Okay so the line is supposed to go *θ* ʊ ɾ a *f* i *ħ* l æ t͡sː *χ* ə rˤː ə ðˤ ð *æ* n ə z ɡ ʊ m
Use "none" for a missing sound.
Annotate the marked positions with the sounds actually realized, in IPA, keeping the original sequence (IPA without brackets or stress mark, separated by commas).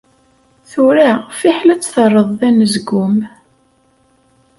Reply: θ, f, ħ, θ, æ